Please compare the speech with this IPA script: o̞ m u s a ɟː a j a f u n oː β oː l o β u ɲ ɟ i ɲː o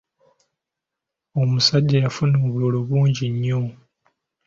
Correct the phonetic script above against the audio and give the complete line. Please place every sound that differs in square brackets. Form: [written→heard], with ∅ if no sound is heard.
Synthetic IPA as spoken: o̞ m u s a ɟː a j a f u n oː β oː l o β [u→uː] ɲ ɟ i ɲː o